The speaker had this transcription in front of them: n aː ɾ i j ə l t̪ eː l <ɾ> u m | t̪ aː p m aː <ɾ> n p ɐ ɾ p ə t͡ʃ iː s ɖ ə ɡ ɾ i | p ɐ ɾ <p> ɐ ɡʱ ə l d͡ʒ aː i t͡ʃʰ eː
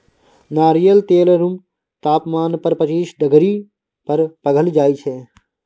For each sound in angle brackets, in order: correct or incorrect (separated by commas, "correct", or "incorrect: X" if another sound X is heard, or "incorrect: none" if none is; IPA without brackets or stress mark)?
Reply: correct, incorrect: none, correct